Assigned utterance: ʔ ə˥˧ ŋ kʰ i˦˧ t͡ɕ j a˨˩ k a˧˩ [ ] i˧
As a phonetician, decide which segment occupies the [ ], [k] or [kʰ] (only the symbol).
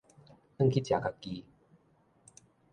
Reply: k